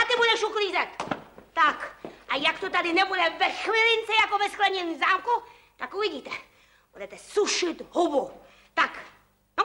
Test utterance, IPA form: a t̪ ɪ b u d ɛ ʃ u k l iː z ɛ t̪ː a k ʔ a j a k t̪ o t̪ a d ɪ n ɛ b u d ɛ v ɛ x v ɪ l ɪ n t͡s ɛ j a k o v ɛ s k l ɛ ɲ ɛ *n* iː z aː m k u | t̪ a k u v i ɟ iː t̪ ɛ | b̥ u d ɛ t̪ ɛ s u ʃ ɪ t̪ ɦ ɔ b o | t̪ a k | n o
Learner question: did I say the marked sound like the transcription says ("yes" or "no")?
yes